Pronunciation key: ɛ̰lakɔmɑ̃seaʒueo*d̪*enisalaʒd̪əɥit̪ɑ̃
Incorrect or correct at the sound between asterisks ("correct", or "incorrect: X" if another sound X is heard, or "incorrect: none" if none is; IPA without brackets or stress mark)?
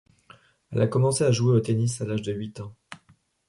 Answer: incorrect: t̪